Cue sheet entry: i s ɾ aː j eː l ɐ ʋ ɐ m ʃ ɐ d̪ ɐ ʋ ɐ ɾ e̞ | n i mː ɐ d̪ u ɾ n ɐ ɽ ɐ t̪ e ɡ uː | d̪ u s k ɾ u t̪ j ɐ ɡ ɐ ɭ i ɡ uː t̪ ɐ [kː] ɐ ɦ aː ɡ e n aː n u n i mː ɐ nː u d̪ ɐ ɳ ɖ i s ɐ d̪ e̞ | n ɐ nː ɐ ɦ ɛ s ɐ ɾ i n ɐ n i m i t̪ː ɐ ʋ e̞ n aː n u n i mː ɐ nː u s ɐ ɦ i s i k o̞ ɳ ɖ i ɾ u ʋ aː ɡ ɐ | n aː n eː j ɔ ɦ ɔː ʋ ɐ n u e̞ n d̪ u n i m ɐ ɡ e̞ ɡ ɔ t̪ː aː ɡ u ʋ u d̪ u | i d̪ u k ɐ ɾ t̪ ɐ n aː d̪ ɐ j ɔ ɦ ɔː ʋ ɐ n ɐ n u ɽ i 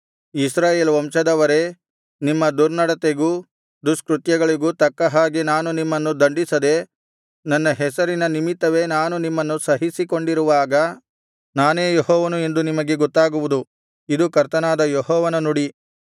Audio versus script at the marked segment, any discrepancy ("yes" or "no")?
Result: no